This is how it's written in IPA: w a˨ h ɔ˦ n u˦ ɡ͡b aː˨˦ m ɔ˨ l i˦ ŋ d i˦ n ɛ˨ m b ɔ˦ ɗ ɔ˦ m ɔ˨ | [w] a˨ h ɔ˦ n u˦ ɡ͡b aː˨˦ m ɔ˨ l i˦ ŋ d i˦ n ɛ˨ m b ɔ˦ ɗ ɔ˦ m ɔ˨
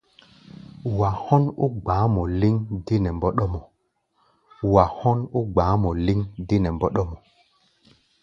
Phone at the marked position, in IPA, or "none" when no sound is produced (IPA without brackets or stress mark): w